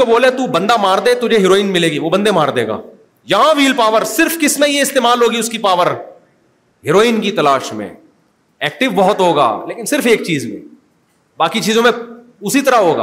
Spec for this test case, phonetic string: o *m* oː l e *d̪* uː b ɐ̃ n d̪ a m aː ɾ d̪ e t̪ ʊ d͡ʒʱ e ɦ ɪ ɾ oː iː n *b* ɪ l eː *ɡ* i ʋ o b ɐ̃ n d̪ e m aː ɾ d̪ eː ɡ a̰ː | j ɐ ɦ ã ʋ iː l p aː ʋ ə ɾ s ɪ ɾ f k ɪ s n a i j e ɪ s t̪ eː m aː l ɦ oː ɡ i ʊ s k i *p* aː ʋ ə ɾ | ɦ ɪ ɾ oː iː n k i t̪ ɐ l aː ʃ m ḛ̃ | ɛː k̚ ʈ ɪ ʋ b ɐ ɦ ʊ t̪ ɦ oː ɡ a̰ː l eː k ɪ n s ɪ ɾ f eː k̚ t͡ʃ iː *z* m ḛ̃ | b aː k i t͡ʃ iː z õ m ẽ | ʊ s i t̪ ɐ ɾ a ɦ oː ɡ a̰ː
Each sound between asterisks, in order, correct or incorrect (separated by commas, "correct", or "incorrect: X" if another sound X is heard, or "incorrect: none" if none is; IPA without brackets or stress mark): incorrect: b, incorrect: t̪, incorrect: m, correct, correct, correct